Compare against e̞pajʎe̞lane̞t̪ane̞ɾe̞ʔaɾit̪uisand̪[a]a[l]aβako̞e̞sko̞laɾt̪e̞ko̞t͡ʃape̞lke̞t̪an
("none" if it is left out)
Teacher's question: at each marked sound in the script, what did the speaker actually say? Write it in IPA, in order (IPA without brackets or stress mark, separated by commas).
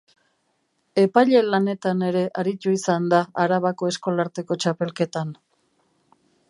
a, ɾ